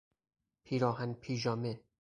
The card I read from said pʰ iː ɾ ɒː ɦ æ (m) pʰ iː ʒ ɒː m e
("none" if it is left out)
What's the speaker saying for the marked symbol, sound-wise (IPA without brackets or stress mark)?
n